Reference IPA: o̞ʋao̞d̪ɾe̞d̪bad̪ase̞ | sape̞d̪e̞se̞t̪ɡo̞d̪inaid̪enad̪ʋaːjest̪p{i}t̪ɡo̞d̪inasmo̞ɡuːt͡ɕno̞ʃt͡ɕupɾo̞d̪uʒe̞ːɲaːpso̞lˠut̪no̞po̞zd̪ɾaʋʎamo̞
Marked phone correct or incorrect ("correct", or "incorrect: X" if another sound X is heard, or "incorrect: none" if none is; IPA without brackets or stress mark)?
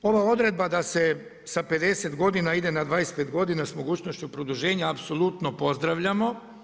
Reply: incorrect: e